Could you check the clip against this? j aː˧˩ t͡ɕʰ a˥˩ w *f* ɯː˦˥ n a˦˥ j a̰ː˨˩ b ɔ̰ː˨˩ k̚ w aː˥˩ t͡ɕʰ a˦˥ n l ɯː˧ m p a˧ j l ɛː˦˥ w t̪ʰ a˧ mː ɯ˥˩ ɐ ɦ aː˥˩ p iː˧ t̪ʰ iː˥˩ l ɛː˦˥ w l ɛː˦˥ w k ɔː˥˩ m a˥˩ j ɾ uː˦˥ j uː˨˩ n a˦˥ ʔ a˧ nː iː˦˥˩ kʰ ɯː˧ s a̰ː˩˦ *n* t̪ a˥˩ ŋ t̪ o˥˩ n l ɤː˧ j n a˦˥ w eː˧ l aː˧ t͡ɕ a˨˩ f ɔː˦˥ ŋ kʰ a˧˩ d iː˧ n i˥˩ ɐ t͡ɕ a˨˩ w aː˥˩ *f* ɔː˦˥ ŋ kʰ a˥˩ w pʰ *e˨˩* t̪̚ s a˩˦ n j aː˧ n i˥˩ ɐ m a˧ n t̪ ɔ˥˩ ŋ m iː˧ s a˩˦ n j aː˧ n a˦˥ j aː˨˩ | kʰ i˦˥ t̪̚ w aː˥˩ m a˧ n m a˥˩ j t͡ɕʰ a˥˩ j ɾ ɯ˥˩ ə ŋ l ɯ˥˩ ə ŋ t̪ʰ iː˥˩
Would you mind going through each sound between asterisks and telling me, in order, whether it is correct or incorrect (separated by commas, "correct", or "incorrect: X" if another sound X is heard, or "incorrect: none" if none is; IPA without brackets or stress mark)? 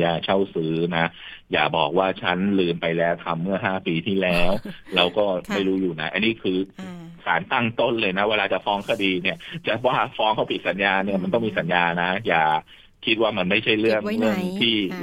incorrect: s, correct, correct, incorrect: i˨˩